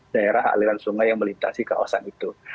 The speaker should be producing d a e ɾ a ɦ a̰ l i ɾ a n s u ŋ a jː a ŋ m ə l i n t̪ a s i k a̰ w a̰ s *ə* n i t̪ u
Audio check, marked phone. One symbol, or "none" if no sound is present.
a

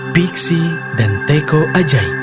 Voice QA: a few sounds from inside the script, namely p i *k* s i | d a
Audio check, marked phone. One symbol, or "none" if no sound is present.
k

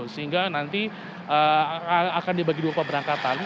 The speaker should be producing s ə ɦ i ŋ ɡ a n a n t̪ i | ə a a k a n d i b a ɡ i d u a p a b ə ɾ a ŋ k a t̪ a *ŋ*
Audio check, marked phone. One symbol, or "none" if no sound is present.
n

